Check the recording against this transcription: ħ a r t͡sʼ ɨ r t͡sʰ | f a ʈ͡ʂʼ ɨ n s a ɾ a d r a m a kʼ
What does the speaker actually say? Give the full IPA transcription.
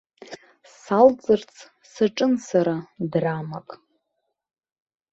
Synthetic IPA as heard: s a l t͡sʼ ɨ r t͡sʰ | s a ʈ͡ʂʼ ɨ n s a ɾ a d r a m a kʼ